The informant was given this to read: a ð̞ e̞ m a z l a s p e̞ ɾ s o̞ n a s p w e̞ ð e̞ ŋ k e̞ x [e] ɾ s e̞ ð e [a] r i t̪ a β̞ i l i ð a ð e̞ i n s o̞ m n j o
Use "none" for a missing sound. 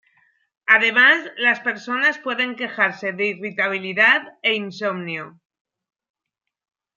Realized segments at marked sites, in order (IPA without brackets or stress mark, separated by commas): a, i